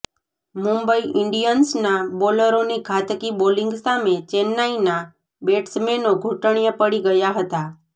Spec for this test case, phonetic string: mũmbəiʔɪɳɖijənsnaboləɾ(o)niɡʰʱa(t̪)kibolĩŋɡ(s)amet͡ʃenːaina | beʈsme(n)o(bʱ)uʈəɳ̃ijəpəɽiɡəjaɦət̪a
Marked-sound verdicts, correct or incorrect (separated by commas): correct, correct, correct, correct, incorrect